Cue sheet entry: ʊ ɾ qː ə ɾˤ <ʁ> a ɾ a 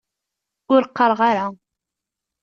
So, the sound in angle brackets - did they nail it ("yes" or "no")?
yes